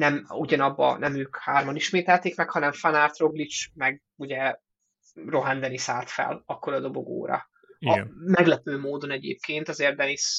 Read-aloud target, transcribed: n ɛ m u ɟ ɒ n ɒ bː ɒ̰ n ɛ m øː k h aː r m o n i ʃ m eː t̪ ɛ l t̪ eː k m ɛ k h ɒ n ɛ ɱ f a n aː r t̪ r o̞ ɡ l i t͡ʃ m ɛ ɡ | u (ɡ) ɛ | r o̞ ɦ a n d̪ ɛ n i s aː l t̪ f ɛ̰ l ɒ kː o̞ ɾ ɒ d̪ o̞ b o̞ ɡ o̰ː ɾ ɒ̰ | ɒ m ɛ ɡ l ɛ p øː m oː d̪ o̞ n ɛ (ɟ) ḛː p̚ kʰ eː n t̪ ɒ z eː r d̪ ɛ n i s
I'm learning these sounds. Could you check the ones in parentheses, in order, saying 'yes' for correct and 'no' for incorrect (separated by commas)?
no, yes